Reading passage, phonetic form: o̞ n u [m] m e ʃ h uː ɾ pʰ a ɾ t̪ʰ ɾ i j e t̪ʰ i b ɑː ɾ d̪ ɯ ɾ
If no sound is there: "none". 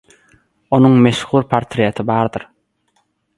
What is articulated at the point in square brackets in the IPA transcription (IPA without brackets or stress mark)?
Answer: ŋ